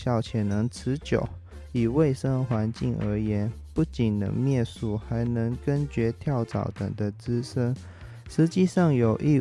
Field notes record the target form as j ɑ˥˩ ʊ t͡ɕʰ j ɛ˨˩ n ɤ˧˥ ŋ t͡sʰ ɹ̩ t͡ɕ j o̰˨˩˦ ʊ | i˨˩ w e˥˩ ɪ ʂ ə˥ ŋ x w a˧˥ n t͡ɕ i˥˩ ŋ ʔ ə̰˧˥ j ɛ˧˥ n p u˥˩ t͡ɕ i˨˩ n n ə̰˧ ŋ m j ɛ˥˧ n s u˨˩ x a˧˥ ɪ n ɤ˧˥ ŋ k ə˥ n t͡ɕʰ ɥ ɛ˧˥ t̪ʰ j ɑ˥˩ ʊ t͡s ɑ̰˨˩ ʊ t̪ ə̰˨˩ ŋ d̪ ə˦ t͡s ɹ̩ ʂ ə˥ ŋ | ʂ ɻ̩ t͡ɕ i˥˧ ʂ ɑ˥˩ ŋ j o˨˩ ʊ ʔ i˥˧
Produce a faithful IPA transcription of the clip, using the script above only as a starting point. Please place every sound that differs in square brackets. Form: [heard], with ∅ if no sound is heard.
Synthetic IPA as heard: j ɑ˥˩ ʊ t͡ɕʰ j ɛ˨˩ n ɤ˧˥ ŋ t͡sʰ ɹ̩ t͡ɕ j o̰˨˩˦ ʊ | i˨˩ w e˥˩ ɪ ʂ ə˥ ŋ x w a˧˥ n t͡ɕ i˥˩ ŋ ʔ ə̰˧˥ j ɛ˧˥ n p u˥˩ t͡ɕ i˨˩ n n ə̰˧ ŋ m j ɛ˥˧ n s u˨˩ x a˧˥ ɪ n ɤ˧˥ ŋ k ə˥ n [t͡ɕ] ɥ ɛ˧˥ t̪ʰ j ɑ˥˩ ʊ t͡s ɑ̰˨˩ ʊ t̪ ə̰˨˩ ŋ d̪ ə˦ t͡s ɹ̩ ʂ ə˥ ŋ | ʂ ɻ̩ t͡ɕ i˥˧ ʂ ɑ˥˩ ŋ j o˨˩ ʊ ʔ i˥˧